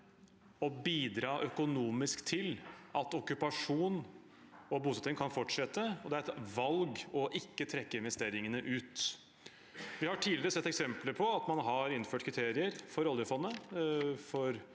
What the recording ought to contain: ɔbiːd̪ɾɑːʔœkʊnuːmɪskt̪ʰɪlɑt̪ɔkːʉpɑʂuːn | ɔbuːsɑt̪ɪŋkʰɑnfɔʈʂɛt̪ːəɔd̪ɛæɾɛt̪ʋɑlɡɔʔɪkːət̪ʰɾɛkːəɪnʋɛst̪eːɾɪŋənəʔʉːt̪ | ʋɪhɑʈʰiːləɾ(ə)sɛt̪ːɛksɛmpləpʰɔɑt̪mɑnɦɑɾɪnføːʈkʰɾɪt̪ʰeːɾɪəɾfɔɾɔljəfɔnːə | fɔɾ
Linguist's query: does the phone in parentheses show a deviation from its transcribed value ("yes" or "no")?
no